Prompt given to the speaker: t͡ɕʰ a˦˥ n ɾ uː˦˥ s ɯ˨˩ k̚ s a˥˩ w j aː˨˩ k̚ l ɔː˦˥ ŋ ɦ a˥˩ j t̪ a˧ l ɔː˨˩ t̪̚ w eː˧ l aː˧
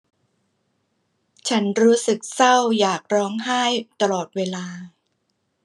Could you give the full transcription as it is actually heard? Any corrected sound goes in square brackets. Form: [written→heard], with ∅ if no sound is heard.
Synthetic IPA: t͡ɕʰ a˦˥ n ɾ uː˦˥ s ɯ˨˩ k̚ s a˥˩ w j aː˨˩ k̚ [l→ɾ] ɔː˦˥ ŋ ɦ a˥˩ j t̪ a˧ l ɔː˨˩ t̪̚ w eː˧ l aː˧